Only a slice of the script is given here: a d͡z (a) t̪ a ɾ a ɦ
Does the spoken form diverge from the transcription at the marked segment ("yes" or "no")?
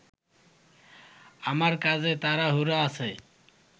yes